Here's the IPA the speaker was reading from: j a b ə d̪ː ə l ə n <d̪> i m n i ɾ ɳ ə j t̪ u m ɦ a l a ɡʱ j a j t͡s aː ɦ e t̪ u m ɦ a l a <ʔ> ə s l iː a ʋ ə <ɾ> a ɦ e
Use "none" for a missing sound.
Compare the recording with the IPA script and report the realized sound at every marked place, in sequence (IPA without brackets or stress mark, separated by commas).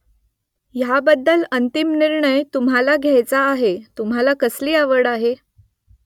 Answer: t̪, k, ɽ